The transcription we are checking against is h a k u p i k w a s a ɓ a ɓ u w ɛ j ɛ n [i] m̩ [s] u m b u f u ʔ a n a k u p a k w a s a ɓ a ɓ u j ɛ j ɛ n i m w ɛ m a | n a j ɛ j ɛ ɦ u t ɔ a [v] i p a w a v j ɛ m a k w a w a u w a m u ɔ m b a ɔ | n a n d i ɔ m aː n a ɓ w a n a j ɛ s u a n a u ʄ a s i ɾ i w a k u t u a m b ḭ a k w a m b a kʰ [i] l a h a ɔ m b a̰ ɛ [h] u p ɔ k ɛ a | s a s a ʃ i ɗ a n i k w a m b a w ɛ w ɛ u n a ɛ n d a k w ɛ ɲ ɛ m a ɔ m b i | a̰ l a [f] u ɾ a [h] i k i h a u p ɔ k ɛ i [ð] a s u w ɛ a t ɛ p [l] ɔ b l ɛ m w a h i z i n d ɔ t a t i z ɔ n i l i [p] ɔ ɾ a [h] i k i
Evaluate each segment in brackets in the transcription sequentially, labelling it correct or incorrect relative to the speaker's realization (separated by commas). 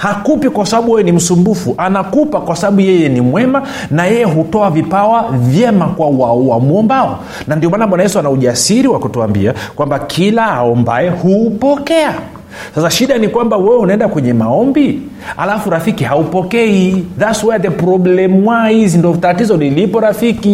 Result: correct, correct, correct, correct, correct, correct, incorrect, correct, incorrect, correct, incorrect